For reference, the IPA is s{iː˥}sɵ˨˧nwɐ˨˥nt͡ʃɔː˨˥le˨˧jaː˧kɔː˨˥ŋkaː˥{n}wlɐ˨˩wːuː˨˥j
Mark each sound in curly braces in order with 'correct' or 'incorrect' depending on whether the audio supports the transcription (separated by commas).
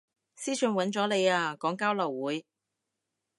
correct, incorrect